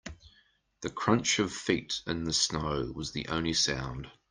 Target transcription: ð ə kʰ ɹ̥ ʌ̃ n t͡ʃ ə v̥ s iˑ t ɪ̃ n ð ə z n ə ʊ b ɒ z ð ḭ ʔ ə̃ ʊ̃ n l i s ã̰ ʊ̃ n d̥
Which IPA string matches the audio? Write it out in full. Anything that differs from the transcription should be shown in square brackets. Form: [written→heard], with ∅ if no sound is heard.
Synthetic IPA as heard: ð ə kʰ ɹ̥ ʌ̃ n t͡ʃ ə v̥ [s→f] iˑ t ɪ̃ n ð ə [z→s] n ə ʊ [b→w] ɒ z ð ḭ ʔ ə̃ ʊ̃ n l i s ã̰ ʊ̃ n d̥